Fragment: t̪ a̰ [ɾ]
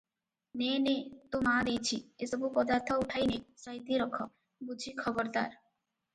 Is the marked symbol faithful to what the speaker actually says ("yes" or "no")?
yes